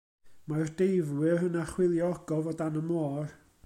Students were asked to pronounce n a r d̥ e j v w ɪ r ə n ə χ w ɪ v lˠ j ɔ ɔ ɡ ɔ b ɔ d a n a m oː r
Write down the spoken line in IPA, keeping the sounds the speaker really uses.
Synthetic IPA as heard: m a r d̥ e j v w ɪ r ə n a χ w ɪ lˠ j ɔ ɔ ɡ ɔ v ɔ d a n ə m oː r